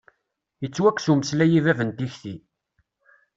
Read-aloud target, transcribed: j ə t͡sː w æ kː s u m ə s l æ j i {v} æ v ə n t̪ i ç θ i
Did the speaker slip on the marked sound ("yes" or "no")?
no